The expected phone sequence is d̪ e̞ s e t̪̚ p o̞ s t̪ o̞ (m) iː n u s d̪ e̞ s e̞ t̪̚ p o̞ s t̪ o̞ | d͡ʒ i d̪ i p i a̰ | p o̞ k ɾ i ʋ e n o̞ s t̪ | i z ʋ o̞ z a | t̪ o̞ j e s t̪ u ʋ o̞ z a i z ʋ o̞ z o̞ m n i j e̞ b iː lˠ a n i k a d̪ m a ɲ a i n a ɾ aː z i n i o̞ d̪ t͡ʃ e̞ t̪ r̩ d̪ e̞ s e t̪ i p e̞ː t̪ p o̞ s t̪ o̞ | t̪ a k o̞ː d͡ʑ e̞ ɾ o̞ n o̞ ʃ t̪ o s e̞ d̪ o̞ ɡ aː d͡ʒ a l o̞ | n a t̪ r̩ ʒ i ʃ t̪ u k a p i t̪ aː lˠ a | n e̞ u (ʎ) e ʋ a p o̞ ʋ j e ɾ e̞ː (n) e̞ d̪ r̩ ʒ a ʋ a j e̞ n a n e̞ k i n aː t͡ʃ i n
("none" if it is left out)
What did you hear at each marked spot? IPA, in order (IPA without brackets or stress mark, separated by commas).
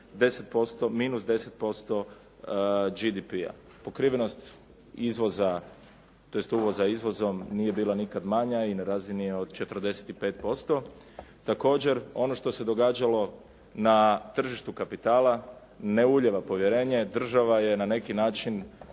m, ʎ, ɲ